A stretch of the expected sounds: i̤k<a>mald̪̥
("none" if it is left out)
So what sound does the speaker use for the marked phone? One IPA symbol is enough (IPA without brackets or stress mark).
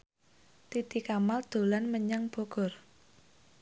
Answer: a